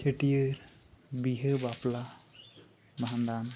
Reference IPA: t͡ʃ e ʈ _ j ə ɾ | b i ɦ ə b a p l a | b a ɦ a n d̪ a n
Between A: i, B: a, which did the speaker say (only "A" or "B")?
A